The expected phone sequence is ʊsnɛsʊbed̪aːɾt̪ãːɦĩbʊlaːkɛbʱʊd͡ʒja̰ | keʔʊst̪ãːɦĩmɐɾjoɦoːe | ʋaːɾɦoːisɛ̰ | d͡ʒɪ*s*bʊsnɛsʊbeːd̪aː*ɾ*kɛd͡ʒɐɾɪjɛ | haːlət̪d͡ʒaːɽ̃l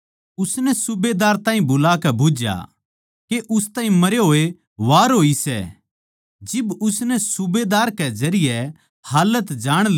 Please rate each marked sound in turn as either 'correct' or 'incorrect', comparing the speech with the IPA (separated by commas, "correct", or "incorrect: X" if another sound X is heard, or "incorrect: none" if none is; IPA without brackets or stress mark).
incorrect: none, correct